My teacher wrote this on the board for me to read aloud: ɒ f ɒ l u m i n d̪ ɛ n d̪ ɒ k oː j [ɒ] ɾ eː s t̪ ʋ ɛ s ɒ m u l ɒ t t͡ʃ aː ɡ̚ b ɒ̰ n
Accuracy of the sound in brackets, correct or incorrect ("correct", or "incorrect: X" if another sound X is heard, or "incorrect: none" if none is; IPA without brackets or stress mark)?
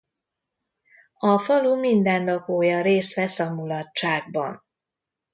correct